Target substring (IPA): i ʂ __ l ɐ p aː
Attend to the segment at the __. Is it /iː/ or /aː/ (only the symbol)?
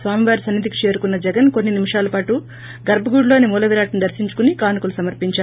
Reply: aː